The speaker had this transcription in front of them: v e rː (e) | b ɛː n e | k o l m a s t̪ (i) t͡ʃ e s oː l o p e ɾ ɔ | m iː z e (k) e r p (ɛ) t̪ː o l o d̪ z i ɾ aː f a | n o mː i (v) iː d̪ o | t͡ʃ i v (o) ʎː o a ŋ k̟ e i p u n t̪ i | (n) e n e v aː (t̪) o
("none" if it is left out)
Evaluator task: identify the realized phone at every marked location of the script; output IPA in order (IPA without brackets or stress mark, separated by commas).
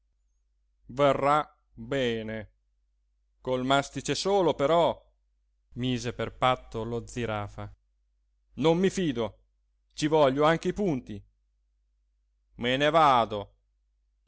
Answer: a, i, p, a, f, ɔ, m, d̪